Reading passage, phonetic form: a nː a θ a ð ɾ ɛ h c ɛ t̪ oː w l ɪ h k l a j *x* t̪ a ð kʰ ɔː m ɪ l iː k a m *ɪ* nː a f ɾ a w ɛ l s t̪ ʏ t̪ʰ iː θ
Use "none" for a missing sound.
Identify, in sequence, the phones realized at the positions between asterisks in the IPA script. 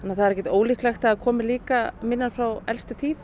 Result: x, ɪ

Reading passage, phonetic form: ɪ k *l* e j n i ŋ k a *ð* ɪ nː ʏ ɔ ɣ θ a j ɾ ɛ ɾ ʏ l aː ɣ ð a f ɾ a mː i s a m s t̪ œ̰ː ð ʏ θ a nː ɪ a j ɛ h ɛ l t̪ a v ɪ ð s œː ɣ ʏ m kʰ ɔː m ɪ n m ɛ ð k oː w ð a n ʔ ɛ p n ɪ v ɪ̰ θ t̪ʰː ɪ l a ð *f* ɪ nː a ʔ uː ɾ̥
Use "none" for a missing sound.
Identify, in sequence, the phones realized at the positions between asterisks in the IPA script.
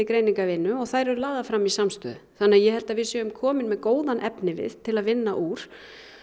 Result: ɾ, v, v

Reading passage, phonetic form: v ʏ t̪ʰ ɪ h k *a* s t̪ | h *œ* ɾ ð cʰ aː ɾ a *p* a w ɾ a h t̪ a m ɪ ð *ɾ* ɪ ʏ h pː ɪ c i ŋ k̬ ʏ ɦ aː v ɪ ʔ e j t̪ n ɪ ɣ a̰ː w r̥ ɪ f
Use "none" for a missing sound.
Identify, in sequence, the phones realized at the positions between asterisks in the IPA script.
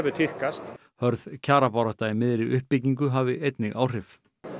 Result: a, œ, p, ɾ

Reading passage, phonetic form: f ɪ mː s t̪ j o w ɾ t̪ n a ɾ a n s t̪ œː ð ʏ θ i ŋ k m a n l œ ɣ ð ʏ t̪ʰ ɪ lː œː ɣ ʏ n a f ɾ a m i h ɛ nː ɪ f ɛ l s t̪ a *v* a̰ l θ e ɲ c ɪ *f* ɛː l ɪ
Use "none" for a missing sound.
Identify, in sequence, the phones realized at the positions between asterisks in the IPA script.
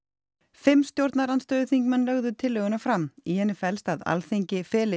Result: ð, f

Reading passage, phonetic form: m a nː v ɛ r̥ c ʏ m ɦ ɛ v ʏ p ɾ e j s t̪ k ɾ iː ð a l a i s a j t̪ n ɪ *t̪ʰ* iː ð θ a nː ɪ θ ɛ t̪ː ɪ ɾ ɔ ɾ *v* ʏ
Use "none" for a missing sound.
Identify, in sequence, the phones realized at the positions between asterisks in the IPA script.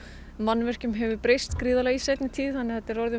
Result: t̪ʰ, ð

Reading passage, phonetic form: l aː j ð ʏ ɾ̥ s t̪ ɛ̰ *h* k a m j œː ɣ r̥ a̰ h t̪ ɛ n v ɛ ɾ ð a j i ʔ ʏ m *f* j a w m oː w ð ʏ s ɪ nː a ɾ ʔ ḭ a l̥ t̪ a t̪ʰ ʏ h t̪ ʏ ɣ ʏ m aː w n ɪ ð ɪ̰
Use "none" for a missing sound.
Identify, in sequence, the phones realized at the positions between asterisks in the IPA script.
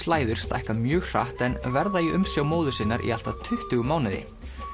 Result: h, s

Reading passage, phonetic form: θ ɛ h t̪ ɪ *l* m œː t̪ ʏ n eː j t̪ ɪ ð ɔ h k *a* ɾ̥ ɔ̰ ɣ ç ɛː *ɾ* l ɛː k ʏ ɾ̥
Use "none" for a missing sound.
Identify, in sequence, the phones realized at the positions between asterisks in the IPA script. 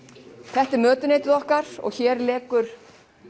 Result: ɾ, a, ɾ

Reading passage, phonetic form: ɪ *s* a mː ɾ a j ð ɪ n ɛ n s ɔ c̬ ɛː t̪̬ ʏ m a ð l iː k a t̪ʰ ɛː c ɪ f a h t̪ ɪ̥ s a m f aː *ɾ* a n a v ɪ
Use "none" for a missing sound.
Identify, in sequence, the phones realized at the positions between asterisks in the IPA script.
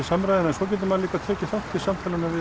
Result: s, l

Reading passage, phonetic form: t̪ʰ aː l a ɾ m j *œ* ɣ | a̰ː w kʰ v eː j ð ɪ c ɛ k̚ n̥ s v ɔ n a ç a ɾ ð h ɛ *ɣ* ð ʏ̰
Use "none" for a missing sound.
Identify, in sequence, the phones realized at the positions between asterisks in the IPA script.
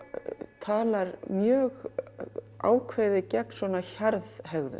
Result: œː, ɣ

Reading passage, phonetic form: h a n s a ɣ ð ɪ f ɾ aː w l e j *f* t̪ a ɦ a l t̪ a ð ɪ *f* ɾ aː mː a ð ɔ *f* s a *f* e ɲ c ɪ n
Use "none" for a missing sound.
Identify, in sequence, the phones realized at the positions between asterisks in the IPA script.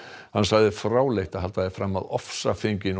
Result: h, f, f, f

